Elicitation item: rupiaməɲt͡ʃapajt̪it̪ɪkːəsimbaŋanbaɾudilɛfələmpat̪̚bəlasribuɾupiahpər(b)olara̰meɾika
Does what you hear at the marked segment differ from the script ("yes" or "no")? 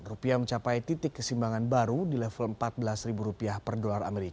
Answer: yes